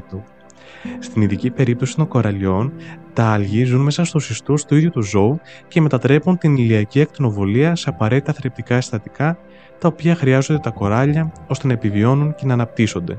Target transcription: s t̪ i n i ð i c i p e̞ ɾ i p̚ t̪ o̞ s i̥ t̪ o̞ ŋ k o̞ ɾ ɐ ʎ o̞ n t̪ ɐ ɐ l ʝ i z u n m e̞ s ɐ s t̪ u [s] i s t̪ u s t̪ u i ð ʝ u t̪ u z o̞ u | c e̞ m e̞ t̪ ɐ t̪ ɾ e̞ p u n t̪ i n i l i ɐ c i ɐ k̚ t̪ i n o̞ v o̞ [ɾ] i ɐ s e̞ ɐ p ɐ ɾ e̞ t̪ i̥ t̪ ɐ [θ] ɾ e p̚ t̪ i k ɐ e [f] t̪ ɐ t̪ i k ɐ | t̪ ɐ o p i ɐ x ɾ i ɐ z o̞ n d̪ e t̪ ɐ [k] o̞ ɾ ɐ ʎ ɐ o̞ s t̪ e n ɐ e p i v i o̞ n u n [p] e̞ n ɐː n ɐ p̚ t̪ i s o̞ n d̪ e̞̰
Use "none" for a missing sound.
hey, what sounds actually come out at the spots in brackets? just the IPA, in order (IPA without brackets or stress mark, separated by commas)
s, l, θ, s, k, c